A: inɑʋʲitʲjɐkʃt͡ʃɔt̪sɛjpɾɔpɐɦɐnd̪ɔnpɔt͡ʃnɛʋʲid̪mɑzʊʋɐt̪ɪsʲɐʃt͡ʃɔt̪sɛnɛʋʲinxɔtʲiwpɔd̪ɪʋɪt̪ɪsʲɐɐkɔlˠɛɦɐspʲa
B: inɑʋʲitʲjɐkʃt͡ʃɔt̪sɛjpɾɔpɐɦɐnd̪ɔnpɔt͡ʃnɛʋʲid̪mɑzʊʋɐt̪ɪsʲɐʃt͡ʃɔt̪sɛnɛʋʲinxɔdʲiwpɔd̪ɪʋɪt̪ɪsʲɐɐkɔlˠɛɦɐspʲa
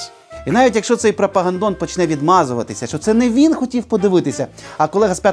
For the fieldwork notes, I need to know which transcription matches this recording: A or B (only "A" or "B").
A